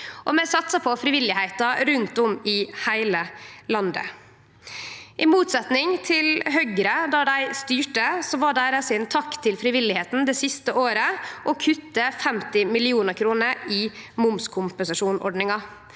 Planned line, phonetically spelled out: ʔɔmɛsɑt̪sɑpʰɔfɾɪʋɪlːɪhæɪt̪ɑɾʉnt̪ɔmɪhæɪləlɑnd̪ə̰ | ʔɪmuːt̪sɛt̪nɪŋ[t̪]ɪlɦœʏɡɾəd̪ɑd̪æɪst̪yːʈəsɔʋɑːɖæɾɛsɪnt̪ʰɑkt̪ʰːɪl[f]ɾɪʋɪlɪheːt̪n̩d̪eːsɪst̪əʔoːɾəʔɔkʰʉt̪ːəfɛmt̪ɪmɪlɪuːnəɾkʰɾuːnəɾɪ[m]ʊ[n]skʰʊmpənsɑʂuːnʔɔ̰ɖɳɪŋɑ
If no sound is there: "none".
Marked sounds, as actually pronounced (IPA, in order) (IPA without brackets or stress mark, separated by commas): t̪ʰ, f, m, m